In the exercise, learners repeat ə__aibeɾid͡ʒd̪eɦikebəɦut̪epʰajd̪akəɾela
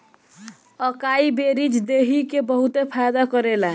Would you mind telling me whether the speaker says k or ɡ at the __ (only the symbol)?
k